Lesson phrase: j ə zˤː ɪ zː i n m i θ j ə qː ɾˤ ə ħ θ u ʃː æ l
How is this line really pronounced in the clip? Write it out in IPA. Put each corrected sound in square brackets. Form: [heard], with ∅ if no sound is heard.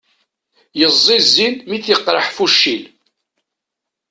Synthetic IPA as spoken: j ə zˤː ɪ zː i n m i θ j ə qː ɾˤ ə ħ [f] u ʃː [i] l